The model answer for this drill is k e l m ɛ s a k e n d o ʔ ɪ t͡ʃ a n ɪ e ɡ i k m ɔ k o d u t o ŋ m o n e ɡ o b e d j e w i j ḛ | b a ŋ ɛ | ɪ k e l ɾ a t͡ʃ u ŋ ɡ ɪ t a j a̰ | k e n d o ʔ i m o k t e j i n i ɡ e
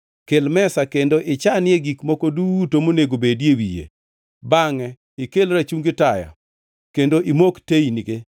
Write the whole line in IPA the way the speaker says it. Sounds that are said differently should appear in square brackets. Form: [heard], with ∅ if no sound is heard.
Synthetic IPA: k e l m ɛ s a k e n d o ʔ ɪ t͡ʃ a n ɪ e ɡ i k m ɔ k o d u t o [∅] m o n e ɡ o b e d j e w i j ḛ | b a ŋ ɛ | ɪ k e l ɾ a t͡ʃ u ŋ ɡ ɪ t a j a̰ | k e n d o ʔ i m o k t e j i n i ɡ e